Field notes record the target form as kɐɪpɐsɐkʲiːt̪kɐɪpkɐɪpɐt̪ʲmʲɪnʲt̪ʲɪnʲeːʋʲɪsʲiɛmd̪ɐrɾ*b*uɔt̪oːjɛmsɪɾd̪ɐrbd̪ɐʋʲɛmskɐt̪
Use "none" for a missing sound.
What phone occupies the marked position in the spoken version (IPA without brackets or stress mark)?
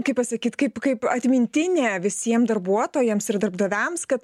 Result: b